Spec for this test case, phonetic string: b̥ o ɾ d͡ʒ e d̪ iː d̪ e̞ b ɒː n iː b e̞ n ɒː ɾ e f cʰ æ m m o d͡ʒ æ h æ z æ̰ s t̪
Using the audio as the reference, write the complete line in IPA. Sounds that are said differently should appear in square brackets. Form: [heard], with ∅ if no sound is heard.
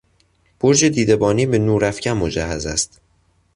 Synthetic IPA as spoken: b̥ o ɾ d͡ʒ e d̪ iː d̪ e̞ b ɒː n iː b e̞ n [uː] ɾ [æ] f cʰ æ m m o d͡ʒ æ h æ z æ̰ s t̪

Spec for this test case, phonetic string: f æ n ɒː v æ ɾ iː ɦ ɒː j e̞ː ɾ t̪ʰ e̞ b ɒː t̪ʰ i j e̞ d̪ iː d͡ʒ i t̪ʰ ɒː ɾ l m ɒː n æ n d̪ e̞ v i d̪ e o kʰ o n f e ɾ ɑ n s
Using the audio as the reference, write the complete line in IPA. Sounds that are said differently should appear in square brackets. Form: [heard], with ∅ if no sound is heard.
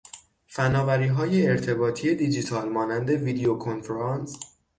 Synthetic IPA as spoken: f æ n ɒː v æ ɾ iː ɦ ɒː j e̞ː ɾ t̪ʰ e̞ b ɒː t̪ʰ i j e̞ d̪ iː d͡ʒ i t̪ʰ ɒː [∅] l m ɒː n æ n d̪ e̞ v i d̪ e o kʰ o n f e ɾ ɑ n s

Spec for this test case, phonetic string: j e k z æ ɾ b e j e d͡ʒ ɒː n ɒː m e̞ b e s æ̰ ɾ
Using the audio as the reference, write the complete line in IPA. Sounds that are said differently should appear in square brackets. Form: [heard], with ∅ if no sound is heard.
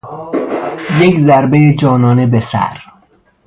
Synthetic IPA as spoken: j e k z æ ɾ b e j e d͡ʒ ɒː n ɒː [n] e̞ b e s æ̰ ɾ

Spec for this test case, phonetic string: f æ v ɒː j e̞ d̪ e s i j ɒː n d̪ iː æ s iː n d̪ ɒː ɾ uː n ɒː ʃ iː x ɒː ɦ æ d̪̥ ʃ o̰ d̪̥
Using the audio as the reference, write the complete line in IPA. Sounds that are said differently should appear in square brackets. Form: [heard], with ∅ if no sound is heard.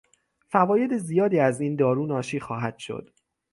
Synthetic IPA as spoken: f æ v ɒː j e̞ d̪ e [z] i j ɒː [∅] d̪ iː æ [z] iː n d̪ ɒː ɾ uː n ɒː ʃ iː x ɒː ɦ æ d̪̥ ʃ o̰ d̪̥

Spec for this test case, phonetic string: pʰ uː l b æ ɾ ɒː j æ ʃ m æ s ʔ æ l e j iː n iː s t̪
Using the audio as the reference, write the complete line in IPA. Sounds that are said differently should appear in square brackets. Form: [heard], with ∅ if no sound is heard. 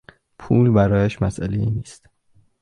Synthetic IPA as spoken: pʰ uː l b æ ɾ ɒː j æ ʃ m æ s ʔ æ l e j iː n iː s t̪

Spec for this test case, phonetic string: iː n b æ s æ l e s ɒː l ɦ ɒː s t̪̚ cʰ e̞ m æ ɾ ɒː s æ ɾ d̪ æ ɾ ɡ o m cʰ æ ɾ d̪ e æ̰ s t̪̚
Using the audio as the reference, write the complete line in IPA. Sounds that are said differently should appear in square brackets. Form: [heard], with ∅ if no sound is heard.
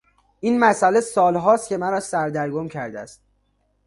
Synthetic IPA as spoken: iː n [m] æ s æ l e s ɒː l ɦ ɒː s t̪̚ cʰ e̞ m æ ɾ ɒː s æ ɾ d̪ æ ɾ ɡ o m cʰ æ ɾ d̪ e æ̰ s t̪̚

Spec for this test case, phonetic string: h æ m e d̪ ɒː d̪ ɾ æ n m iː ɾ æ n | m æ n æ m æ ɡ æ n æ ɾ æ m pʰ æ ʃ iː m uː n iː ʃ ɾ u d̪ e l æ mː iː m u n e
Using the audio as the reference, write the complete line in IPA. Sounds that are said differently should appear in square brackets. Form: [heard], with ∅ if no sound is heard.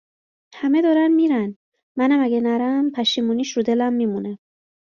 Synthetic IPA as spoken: h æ m e d̪ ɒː [∅] ɾ æ n m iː ɾ æ n | m æ n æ m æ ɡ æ n æ ɾ æ m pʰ æ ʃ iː m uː n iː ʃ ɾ u d̪ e l æ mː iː m u n e

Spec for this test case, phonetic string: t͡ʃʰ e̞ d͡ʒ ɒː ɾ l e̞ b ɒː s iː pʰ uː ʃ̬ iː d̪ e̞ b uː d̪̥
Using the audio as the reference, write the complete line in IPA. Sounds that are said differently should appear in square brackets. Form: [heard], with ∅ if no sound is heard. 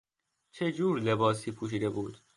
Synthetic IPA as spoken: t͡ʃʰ e̞ d͡ʒ [uː] ɾ l e̞ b ɒː s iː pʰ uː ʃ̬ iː d̪ e̞ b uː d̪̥

